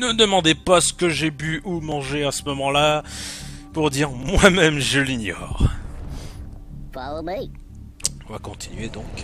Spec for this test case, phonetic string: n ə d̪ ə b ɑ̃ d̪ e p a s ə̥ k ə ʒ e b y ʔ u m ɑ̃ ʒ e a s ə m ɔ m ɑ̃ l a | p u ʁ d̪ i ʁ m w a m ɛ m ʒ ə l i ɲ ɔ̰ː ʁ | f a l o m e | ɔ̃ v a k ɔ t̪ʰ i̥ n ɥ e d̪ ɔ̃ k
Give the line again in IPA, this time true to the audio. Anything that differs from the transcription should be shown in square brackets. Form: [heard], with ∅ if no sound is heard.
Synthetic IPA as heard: n ə d̪ ə [m] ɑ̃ d̪ e p a s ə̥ k ə ʒ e b y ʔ u m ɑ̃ ʒ e a s ə m ɔ m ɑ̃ l a | p u ʁ d̪ i ʁ m w a m ɛ m ʒ ə l i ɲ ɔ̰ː ʁ | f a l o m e | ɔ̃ v a k [ɔ̃] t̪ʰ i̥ n ɥ e d̪ ɔ̃ k